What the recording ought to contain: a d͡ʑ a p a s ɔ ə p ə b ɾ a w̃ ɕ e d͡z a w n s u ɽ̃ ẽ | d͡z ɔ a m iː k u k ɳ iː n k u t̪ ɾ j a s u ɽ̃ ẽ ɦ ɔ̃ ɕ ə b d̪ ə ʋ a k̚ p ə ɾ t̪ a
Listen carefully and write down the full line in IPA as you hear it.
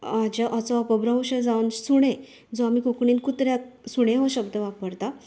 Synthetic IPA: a d͡ʑ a ʔ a t͡s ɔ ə p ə b ɾ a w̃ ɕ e d͡z a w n s u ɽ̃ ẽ | d͡z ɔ a m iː k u k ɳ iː n k u t̪ ɾ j a s u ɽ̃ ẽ ɦ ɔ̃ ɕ ə b d̪ ə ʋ a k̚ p ə ɾ t̪ a